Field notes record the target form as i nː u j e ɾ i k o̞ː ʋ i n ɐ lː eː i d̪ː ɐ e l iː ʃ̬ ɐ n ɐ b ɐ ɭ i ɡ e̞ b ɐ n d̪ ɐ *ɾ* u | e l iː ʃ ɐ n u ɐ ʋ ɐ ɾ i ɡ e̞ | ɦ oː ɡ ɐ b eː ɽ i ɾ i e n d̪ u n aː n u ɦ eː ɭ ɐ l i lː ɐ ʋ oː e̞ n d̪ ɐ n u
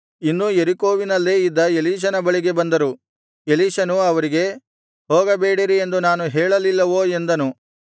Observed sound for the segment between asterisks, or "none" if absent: ɾ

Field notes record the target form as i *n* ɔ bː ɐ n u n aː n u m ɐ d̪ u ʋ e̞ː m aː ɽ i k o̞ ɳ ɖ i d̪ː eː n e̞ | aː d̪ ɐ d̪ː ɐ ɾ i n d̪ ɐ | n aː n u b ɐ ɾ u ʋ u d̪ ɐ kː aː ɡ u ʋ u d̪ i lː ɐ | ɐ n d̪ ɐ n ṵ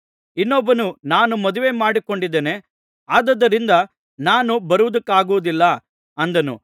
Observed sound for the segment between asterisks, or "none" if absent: nː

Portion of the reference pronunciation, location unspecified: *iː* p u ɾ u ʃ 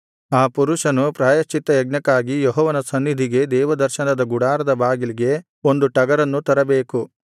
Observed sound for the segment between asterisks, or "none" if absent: aː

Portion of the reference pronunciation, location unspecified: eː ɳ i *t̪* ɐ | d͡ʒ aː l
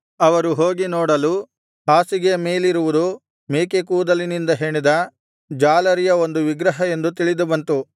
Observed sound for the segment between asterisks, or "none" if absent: d̪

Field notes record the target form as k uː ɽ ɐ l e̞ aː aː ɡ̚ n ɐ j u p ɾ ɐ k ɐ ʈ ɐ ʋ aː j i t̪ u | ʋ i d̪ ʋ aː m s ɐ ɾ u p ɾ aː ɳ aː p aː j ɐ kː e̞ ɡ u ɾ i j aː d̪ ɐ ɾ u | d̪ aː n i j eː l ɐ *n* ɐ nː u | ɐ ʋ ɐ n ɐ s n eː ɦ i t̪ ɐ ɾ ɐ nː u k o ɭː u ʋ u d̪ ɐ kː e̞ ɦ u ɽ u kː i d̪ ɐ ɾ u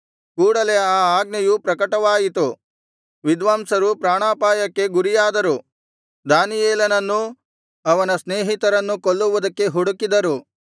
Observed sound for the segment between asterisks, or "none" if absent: n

